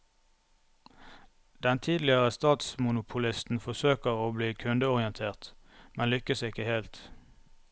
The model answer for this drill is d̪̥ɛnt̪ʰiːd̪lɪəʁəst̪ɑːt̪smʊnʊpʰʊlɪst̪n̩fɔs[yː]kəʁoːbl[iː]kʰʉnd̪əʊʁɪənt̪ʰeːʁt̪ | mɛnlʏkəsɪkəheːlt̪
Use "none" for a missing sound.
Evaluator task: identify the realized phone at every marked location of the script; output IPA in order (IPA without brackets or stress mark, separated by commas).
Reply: øː, iː